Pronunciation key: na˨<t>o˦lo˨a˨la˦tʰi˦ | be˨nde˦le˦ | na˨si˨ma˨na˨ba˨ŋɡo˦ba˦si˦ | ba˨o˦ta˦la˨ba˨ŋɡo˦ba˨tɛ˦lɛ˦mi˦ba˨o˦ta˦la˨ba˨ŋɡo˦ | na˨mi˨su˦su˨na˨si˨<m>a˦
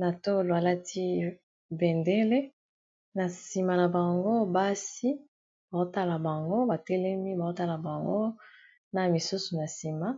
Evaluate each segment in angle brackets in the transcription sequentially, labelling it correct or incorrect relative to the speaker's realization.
correct, correct

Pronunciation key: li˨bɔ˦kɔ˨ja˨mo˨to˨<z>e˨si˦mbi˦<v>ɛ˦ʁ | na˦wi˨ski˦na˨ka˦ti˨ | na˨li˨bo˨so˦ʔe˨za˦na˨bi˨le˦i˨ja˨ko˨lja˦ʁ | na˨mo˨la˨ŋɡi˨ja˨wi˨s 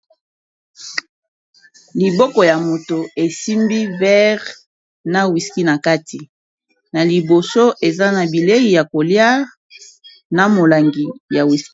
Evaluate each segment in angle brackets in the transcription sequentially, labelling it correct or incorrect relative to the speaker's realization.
incorrect: none, correct

